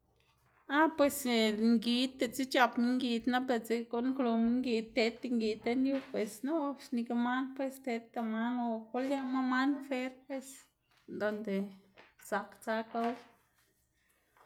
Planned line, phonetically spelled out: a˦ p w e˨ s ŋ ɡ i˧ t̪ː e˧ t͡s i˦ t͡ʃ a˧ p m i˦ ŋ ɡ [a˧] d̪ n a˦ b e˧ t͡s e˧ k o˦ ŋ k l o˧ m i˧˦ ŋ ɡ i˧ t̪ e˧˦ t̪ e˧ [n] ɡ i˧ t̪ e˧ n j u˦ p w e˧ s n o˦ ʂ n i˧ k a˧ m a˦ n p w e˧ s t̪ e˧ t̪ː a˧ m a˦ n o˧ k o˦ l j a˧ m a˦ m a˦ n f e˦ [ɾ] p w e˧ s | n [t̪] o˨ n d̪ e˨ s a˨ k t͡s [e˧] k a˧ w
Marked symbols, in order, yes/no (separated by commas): no, no, yes, no, no